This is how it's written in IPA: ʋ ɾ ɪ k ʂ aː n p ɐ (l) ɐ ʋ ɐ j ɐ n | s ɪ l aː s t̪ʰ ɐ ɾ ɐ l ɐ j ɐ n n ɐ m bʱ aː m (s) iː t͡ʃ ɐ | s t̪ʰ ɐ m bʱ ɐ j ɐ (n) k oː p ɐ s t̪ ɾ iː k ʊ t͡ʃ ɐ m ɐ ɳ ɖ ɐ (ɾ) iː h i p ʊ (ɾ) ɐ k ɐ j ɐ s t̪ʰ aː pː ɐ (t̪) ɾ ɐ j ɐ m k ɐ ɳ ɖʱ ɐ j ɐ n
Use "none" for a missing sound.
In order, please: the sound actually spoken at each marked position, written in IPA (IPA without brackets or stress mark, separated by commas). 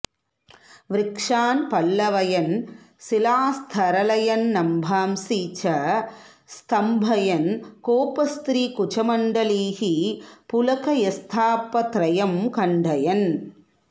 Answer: lː, s, n, l, l, t̪